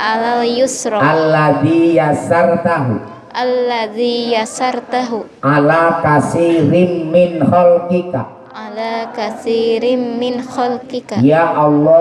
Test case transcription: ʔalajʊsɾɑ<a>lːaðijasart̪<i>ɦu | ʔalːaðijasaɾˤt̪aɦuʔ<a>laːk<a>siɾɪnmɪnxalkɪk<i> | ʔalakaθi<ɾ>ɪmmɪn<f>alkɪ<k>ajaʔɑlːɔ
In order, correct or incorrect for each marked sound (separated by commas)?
correct, incorrect, correct, correct, incorrect, correct, incorrect, correct